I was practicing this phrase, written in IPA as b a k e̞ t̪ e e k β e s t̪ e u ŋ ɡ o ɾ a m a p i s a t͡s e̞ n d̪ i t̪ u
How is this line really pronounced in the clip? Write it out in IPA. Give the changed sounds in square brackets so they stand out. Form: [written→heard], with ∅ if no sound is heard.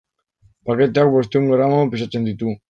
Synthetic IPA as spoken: [b→p] a k e̞ t̪ e [e→a] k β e s t̪ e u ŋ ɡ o ɾ a m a p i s a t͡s e̞ n d̪ i t̪ u